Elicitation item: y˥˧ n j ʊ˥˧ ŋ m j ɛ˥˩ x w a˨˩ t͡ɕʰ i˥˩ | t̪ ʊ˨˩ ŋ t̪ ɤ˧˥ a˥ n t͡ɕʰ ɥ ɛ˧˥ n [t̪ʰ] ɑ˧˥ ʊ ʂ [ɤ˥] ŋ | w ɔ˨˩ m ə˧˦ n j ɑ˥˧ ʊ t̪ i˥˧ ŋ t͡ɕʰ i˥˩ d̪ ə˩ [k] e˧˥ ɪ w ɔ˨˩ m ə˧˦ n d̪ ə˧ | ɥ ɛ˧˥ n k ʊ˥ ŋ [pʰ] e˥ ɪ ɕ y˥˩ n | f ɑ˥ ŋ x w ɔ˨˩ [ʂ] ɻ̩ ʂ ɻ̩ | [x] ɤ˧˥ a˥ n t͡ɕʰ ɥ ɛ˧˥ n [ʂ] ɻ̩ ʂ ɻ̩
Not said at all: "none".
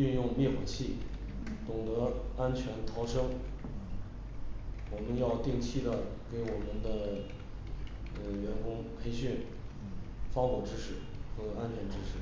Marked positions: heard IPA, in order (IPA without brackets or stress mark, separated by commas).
t̪ʰ, ɤ˥, k, pʰ, ʈ͡ʂ, x, ʈ͡ʂ